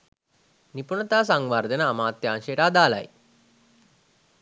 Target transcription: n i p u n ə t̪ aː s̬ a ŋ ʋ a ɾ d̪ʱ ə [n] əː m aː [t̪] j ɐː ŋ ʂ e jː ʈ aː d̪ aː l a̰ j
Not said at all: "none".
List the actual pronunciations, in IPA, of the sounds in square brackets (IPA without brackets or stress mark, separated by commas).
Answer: n, t̪